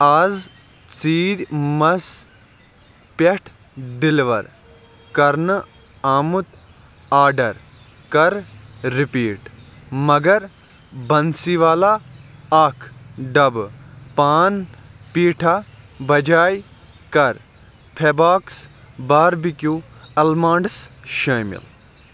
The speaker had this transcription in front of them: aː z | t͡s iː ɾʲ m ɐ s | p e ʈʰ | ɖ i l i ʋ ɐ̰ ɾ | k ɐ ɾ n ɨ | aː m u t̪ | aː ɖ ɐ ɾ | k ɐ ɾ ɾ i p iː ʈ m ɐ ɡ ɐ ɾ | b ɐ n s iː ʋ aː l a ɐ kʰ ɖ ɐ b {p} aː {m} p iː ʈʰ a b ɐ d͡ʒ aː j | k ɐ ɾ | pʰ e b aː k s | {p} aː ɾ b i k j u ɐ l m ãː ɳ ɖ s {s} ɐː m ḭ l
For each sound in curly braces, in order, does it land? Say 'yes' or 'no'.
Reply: yes, no, no, no

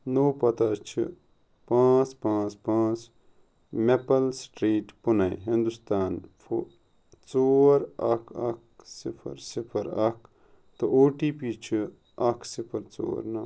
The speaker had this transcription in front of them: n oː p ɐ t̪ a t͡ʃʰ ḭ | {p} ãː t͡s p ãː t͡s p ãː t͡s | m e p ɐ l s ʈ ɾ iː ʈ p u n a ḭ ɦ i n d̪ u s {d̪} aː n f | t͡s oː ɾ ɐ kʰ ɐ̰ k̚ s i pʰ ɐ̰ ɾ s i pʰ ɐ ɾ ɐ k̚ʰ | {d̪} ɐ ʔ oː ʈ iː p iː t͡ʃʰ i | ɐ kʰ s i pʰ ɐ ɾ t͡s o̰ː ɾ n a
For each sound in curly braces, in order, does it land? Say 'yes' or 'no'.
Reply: yes, no, no

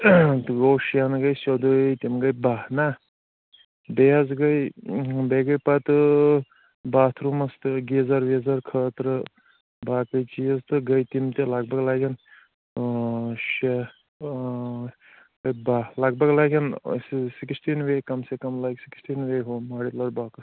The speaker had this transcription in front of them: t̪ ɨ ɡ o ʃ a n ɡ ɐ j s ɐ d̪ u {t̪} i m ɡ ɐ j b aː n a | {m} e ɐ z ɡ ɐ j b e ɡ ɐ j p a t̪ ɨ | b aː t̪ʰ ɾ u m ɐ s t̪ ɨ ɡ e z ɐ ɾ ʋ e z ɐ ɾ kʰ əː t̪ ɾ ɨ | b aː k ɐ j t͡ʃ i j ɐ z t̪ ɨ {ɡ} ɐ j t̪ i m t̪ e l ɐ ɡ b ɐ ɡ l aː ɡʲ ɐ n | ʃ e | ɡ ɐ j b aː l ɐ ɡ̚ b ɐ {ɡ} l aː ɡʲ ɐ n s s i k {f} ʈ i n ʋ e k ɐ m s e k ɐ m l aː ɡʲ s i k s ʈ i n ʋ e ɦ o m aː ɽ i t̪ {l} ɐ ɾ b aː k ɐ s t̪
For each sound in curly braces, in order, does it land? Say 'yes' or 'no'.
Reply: yes, no, yes, yes, no, yes

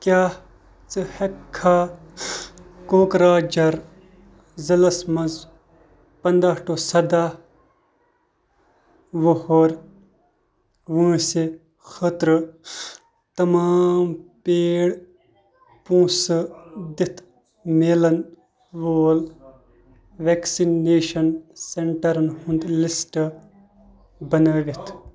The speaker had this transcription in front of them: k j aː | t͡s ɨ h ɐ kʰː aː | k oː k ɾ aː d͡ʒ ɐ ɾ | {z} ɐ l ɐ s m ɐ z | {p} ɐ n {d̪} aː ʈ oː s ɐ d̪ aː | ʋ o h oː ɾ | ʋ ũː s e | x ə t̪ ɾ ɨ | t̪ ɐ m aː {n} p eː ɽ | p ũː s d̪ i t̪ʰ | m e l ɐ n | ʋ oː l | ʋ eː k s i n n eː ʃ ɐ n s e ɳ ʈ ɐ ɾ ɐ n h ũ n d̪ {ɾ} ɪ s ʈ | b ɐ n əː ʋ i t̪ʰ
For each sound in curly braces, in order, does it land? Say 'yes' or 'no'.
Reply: yes, yes, yes, no, no

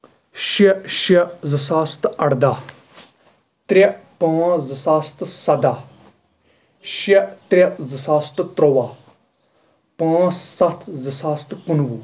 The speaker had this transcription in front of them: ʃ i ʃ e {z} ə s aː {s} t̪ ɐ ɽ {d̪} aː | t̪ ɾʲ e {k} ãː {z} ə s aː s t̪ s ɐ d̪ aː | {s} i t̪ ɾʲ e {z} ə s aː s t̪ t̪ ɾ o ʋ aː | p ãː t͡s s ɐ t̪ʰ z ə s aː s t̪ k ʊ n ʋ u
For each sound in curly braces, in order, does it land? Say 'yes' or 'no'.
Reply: yes, yes, yes, no, yes, no, yes

